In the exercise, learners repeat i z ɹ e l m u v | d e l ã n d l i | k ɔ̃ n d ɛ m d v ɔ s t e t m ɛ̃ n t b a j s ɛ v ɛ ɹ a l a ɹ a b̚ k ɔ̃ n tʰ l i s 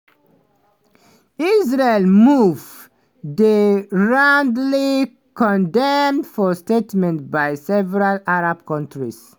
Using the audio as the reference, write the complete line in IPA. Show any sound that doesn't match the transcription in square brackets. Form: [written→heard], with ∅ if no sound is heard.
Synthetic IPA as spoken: i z ɹ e l m u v | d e [l→ɹ] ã n d l i | k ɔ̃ n d ɛ m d [v→f] ɔ s t e t m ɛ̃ n t b a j s ɛ v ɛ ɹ a l a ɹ a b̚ k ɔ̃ n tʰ [l→ɹ] i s